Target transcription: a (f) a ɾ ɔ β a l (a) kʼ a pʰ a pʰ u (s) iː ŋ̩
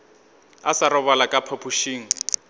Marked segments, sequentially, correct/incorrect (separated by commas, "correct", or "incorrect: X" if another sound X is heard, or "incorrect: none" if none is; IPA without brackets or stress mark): incorrect: s, correct, incorrect: ʃ